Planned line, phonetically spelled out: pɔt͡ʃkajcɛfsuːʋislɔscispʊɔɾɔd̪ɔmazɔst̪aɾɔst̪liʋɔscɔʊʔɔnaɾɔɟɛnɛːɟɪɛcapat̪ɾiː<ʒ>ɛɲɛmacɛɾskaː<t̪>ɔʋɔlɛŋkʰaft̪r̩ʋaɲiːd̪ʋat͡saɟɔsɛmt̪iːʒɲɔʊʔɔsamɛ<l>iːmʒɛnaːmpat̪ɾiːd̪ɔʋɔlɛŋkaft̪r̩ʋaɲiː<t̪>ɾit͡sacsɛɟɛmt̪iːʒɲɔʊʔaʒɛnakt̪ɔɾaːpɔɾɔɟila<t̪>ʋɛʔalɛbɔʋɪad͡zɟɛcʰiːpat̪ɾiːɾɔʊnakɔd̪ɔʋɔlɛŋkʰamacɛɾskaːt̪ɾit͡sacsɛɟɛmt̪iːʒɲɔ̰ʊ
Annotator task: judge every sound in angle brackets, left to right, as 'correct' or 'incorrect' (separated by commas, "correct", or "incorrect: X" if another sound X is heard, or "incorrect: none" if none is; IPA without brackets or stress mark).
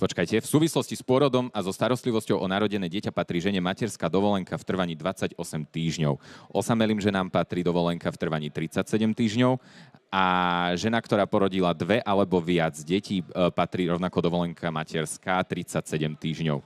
correct, incorrect: d̪, correct, correct, incorrect: d̪